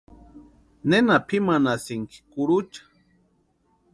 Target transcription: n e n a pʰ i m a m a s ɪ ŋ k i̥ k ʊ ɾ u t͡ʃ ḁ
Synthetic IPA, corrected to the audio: n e n a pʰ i m a n a s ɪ ŋ k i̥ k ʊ ɾ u t͡ʃ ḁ